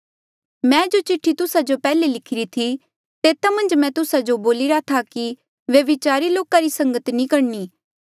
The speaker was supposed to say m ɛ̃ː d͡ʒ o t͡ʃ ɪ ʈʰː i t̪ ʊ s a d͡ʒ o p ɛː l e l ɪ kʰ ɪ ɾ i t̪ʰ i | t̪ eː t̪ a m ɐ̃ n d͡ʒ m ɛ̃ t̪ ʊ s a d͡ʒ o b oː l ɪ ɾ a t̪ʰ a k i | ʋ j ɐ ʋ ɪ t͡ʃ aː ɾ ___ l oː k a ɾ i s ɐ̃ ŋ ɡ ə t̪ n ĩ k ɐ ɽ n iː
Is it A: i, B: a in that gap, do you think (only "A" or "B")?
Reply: A